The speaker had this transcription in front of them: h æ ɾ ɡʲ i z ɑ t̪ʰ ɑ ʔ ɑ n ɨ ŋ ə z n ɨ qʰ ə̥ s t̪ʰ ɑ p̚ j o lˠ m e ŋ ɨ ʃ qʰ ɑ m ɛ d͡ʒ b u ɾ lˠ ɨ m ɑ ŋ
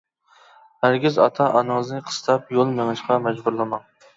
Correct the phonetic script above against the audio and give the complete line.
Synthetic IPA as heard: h æ ɾ ɡʲ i z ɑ t̪ʰ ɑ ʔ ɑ n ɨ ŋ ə z n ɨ qʰ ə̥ s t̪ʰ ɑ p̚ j o lˠ m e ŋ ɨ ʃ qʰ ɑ m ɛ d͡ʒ b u ɾ lˠ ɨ m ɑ ŋ